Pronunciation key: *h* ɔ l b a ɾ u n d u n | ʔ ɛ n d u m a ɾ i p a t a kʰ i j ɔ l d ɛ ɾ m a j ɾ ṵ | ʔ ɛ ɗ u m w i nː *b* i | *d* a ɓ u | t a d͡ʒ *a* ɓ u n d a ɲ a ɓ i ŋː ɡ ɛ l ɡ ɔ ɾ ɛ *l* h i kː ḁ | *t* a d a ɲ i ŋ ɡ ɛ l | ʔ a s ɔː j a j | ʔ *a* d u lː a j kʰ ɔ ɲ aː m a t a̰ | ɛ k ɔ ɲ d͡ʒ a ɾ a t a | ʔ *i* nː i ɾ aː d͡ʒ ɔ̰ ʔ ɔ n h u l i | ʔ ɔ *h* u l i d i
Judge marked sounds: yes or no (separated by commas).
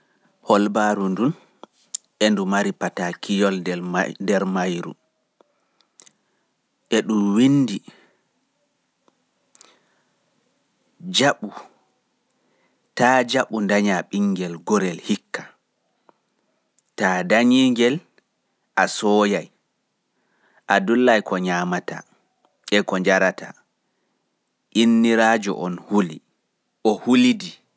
yes, no, no, yes, yes, yes, yes, yes, yes